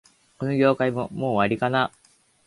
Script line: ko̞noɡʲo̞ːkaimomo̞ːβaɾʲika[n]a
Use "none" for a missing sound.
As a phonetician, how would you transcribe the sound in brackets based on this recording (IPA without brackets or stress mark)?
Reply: n